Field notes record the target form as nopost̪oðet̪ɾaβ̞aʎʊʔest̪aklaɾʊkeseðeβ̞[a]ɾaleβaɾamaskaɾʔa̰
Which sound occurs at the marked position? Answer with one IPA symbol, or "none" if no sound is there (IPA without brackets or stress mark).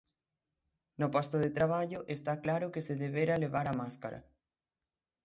e